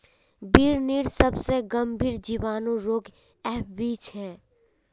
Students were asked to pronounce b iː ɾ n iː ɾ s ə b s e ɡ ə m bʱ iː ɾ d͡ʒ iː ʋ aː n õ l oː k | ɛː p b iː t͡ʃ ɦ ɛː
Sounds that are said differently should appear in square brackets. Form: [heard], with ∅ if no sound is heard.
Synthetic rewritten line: b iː ɾ n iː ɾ s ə b s e ɡ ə m bʱ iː ɾ d͡ʒ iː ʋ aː n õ [ɾ] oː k | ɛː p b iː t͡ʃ ɦ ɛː